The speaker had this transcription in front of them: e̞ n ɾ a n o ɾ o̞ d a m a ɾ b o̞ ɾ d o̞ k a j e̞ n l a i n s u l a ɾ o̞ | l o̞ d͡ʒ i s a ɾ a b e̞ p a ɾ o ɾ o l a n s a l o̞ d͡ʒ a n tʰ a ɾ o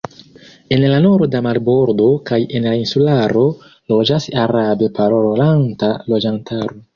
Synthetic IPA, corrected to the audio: e̞ n l a n o ɾ o̞ d a m a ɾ b o̞ ɾ d o̞ k a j e̞ n l a i n s u l a ɾ o̞ | l o̞ d͡ʒ a s a ɾ a b e̞ p a ɾ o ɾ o l a n t a l o̞ d͡ʒ a n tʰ a ɾ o